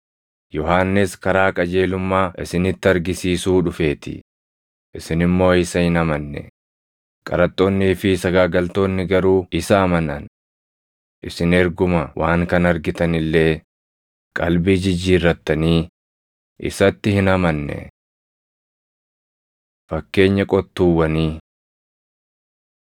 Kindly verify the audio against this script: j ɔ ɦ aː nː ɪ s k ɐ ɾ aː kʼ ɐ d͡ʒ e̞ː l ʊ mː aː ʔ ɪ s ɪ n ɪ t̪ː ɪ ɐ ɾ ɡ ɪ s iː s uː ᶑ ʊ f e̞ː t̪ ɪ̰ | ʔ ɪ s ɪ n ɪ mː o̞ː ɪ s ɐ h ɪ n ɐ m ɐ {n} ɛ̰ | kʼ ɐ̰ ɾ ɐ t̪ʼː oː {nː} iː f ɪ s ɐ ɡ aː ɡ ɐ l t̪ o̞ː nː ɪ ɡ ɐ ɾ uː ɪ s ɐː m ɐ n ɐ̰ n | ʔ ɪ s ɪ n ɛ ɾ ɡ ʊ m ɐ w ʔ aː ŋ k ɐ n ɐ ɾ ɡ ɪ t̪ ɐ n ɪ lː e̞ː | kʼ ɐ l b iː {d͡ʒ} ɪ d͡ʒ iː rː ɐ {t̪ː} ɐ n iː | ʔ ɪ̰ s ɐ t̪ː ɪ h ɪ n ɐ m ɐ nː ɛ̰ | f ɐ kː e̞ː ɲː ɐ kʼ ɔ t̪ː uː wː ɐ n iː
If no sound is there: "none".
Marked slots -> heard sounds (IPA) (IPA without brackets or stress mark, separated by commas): nː, nː, d͡ʒ, t̪ː